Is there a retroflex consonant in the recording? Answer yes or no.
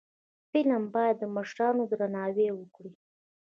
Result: yes